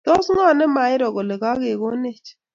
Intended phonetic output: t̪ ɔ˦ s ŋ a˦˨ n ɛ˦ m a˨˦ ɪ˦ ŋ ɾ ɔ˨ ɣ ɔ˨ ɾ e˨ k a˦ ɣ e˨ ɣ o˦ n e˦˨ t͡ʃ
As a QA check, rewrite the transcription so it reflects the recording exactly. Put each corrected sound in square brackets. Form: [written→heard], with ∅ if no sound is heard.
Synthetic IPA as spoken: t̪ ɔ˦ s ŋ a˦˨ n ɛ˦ m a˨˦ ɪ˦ [ŋ→∅] ɾ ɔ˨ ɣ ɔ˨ [ɾ→l] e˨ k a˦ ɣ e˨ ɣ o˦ n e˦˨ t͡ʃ